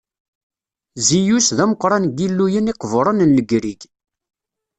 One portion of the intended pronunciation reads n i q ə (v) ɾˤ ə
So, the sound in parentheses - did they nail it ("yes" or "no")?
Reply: yes